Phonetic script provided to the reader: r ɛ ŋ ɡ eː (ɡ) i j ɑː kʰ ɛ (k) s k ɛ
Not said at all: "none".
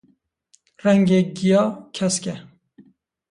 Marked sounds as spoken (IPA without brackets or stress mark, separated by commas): ɡ, none